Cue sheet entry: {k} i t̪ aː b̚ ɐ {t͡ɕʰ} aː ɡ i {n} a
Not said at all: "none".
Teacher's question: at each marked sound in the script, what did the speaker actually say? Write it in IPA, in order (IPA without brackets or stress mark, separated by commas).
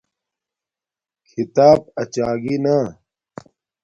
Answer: kʰ, t͡ɕ, n